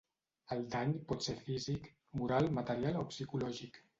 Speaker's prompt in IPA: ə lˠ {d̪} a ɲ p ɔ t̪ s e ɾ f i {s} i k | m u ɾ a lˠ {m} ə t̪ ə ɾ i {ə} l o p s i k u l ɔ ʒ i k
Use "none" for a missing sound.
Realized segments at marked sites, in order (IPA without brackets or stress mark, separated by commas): d̪, z, m, a